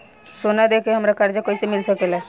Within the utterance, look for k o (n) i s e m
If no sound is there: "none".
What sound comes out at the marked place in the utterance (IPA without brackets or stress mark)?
none